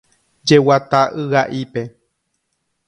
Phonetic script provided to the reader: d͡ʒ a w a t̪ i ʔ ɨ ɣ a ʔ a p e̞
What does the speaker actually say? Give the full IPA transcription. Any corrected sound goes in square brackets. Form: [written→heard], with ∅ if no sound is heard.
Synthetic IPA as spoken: d͡ʒ [a→e] w a t̪ [i→a] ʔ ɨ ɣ a ʔ [a→i] p e̞